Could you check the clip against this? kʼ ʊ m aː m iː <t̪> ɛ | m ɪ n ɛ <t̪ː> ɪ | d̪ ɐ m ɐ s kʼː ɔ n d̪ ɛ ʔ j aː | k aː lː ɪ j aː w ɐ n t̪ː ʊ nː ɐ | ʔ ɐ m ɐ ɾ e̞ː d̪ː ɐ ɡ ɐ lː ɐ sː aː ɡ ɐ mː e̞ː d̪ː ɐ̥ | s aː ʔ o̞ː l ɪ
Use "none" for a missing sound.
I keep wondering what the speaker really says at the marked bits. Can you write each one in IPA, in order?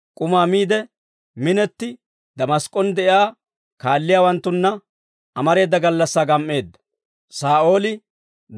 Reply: d̪, t̪ː

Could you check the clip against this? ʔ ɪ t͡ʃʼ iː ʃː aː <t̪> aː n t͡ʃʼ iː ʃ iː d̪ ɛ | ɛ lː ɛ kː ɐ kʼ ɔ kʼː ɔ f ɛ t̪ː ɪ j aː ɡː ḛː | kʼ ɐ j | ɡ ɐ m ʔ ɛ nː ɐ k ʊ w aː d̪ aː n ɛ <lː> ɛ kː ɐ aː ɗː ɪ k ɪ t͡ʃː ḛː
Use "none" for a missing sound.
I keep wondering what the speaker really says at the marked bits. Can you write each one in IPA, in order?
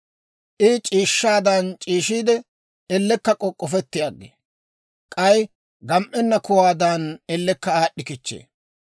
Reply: d̪, lː

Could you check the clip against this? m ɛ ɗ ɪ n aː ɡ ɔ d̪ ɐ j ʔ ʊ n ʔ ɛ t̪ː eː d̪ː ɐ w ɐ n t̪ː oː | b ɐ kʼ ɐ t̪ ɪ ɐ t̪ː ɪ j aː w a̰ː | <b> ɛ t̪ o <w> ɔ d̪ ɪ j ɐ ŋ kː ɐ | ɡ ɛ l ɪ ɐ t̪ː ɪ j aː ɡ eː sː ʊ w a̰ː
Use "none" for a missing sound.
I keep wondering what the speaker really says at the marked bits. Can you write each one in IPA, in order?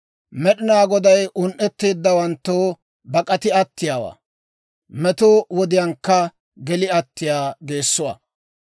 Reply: m, w

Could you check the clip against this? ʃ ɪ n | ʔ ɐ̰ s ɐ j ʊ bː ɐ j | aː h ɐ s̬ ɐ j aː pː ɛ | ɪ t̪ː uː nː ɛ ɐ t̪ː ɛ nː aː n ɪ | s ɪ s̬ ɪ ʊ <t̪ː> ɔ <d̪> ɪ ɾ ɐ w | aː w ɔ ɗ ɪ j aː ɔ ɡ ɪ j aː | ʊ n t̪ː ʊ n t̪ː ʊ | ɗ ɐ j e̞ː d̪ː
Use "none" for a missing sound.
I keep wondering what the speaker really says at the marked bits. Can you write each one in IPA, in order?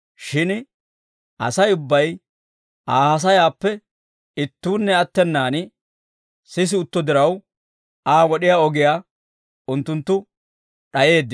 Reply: t̪ː, d̪

